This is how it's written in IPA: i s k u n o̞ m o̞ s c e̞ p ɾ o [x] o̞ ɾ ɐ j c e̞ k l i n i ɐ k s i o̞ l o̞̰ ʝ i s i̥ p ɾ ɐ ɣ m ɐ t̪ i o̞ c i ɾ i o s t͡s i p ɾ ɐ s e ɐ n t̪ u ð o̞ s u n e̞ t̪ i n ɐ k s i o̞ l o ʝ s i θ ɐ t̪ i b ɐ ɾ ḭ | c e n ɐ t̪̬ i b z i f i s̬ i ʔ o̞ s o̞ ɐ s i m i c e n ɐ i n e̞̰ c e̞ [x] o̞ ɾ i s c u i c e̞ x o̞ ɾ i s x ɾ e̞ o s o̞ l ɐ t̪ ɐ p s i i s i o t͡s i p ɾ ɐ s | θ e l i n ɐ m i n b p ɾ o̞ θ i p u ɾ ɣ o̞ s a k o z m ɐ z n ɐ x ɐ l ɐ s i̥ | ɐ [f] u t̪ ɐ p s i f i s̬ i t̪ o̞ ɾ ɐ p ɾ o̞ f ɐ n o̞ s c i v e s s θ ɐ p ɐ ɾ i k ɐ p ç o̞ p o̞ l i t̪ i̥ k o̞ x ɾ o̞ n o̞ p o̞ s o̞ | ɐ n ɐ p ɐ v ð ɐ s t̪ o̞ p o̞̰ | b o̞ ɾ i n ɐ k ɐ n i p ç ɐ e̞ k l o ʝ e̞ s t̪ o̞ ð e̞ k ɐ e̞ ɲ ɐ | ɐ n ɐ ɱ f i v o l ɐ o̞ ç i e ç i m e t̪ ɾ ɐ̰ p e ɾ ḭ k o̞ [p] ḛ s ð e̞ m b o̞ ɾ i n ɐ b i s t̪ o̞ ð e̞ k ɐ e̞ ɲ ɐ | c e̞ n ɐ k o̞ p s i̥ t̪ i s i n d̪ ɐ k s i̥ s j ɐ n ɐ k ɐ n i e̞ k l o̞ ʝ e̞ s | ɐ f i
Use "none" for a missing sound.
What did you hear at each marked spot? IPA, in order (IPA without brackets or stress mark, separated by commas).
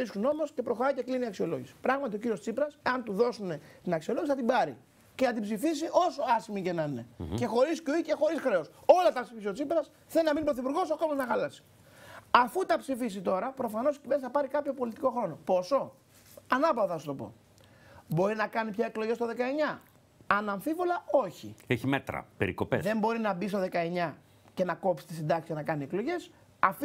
x, x, f, p